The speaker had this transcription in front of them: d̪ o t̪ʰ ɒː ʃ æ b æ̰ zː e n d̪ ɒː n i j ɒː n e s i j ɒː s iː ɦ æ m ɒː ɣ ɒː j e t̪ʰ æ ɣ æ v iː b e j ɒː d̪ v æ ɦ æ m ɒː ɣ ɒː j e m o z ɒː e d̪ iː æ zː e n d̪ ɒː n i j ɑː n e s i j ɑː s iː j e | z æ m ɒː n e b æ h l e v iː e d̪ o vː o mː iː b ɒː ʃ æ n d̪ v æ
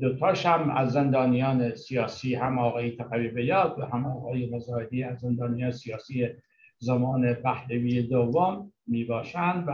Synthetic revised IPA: d̪ o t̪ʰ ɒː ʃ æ m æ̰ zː e n d̪ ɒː n i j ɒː n e s i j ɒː s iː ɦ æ m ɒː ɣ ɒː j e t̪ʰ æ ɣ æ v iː b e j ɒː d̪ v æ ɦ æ m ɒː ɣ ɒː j e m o z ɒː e d̪ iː æ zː e n d̪ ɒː n i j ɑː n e s i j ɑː s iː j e | z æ m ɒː n e b æ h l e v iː e d̪ o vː o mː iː b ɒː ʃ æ n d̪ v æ